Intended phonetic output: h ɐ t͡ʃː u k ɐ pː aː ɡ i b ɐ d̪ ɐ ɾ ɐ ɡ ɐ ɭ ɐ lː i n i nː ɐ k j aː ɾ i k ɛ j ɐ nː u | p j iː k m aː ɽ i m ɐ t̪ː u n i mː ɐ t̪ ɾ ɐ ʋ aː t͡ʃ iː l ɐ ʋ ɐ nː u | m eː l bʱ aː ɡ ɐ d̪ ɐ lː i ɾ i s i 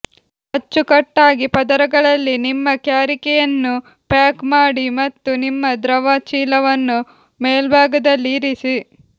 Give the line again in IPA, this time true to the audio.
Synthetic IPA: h ɐ t͡ʃː u k ɐ ʈː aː ɡ i p ɐ d̪ ɐ ɾ ɐ ɡ ɐ ɭ ɐ lː i n i mː ɐ k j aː ɾ i k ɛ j ɐ nː u | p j aː k m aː ɽ i m ɐ t̪ː u n i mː ɐ d̪ ɾ ɐ ʋ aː t͡ʃ iː l ɐ ʋ ɐ nː u | m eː l bʱ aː ɡ ɐ d̪ ɐ lː i ɾ i s i